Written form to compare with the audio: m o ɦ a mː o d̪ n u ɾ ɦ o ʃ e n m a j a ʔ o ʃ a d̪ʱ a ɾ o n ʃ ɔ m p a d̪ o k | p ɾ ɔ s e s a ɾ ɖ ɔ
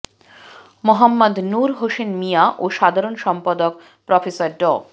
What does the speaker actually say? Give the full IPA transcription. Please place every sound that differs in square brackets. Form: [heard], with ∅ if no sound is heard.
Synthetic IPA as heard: m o ɦ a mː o d̪ n u ɾ ɦ o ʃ e n m [i] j a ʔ o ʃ a d̪ʱ a ɾ o n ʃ ɔ m p a d̪ o k | p ɾ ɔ [f] e s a ɾ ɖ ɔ

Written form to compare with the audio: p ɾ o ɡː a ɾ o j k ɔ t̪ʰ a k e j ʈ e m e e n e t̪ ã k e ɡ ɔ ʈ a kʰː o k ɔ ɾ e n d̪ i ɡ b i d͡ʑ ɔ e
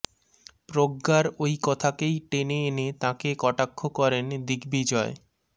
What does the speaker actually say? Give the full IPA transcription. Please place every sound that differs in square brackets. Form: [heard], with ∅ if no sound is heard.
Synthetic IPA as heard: p ɾ o ɡː a ɾ o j k ɔ t̪ʰ a k e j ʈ e [n] e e n e t̪ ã k e [k] ɔ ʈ a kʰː o k ɔ ɾ e n d̪ i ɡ b i d͡ʑ ɔ e

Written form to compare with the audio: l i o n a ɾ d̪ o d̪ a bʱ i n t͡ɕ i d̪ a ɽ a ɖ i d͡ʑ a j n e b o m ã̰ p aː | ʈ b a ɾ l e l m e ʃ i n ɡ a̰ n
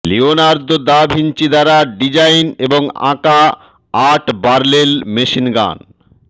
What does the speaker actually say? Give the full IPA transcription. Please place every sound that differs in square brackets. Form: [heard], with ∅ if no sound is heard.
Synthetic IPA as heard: l i o n a ɾ d̪ o d̪ a bʱ i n t͡ɕ i d̪ a [ɾ] a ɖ i d͡ʑ a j n e b o [ŋ] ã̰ [k] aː | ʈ b a ɾ l e l m e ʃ i n ɡ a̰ n

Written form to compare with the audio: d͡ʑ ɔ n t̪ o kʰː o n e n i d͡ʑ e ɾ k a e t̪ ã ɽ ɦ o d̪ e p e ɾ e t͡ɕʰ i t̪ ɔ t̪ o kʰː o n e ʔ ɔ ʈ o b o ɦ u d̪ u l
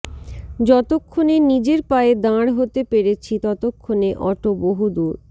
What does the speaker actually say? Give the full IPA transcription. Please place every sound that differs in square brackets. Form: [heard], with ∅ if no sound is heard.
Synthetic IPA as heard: d͡ʑ ɔ [∅] t̪ o kʰː o n e n i d͡ʑ e ɾ [p] a e [d̪] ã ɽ ɦ o [t̪] e p e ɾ e t͡ɕʰ i t̪ ɔ t̪ o kʰː o n e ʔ ɔ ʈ o b o ɦ u d̪ u [ɾ]

